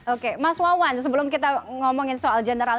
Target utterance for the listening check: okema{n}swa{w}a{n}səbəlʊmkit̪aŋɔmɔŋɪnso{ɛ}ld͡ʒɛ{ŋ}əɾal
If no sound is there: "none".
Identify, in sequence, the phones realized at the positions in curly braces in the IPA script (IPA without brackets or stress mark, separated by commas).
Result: none, w, n, a, n